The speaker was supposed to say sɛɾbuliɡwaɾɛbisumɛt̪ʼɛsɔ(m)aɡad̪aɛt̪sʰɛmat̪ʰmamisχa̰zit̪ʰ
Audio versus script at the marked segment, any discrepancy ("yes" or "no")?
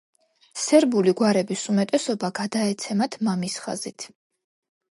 yes